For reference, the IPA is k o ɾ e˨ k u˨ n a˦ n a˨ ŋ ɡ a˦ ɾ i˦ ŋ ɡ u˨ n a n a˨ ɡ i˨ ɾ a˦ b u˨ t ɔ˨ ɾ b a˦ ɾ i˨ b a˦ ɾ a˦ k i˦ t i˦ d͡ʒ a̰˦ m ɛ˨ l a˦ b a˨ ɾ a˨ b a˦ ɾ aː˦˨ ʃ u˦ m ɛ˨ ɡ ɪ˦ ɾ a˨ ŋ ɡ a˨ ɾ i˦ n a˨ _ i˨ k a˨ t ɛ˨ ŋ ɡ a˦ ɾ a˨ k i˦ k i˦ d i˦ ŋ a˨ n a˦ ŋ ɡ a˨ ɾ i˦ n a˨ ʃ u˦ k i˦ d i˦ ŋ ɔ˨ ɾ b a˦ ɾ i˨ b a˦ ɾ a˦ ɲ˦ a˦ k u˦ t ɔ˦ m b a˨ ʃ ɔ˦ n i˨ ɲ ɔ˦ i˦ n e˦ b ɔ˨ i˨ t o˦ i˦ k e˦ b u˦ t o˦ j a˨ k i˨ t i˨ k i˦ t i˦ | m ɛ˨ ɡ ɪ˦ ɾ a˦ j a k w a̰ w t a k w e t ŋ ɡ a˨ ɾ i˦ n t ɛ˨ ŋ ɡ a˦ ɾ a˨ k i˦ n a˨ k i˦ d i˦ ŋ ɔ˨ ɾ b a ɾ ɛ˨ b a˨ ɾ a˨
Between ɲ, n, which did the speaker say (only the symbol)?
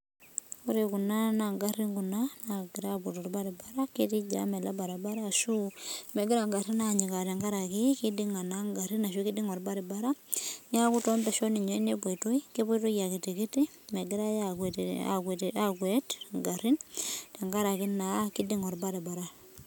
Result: ɲ